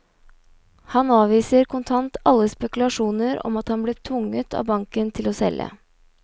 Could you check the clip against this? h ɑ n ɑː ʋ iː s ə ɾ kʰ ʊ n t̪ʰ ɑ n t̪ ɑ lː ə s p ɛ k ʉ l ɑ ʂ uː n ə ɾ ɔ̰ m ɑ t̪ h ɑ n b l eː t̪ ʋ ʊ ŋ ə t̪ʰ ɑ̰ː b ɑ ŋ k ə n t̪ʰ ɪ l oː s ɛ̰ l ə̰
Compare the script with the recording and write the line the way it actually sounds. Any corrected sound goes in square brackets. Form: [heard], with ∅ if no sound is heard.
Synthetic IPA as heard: h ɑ n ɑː ʋ iː s ə ɾ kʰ ʊ n t̪ʰ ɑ n t̪ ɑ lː ə s p ɛ k ʉ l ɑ ʂ uː n ə ɾ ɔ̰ m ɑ t̪ h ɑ n b l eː [t̪ʰ] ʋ ʊ ŋ ə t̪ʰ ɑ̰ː b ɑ ŋ k ə n t̪ʰ ɪ l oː s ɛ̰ l ə̰